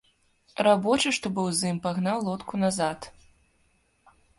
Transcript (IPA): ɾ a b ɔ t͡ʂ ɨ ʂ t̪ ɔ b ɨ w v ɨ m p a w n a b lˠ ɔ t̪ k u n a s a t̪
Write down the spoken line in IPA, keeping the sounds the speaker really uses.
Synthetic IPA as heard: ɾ a b ɔ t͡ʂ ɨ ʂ t̪ ɔ b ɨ w z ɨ m p a ɣ n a w lˠ ɔ t̪ k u n a z a t̪